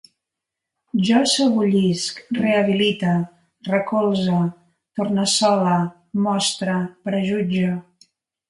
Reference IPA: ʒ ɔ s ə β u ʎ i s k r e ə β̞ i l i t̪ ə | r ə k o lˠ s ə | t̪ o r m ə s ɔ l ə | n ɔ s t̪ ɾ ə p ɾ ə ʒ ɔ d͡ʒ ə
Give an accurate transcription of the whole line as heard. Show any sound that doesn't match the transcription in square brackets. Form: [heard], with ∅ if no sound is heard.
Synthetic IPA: ʒ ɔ s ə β u ʎ i s k r e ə β̞ i l i t̪ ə | r ə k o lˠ [z] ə | t̪ o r [n] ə s ɔ l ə | [m] ɔ s t̪ ɾ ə p ɾ ə ʒ [u] d͡ʒ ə